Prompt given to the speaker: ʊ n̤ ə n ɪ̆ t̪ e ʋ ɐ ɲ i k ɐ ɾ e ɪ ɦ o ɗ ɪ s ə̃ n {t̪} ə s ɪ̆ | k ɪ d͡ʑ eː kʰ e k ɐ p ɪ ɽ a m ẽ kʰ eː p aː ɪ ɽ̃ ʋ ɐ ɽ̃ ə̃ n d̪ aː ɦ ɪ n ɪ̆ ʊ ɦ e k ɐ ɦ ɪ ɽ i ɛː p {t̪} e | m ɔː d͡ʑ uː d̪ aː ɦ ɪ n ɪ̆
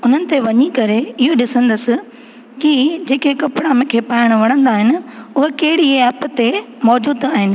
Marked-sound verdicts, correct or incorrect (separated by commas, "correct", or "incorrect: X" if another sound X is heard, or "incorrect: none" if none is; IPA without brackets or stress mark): incorrect: d̪, correct